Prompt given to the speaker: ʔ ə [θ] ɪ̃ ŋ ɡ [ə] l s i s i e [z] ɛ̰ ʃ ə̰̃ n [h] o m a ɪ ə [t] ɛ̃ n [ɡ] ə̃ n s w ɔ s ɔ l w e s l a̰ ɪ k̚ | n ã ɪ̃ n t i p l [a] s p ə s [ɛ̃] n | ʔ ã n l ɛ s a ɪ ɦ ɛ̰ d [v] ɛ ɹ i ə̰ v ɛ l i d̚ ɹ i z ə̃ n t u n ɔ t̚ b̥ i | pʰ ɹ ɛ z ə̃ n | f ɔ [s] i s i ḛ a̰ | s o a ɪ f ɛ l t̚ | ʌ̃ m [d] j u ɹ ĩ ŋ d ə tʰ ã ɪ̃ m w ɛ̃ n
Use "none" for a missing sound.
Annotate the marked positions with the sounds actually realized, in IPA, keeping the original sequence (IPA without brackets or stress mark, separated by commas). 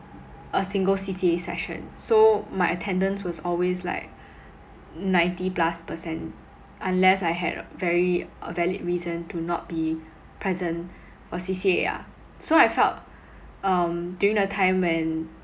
s, ə, s, s, tʰ, d, a, ɛ̃, v, s, d